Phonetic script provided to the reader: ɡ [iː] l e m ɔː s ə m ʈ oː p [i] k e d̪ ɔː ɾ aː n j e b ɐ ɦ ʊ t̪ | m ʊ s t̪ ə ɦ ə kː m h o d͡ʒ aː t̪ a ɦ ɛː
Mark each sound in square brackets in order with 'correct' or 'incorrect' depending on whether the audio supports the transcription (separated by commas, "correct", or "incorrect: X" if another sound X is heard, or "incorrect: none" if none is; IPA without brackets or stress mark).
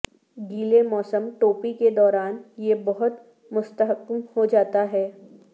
correct, correct